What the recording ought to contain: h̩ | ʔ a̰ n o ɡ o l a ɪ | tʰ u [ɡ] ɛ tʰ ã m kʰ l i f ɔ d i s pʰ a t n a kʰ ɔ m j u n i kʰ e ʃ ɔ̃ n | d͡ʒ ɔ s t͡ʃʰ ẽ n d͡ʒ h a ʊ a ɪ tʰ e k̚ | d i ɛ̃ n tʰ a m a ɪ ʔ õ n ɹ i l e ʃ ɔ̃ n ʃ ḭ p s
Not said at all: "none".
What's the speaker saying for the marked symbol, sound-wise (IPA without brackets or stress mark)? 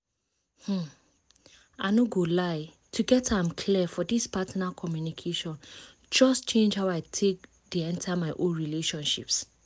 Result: ɡ